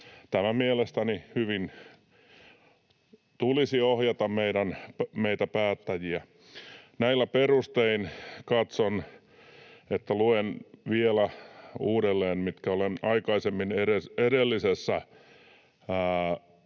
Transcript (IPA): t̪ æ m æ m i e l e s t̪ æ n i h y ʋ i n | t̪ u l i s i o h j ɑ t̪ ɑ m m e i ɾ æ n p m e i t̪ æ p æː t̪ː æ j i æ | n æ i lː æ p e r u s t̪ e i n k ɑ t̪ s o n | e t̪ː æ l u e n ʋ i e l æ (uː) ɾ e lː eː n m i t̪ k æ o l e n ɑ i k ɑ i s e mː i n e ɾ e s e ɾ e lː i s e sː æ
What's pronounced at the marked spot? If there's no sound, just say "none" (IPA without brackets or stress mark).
uː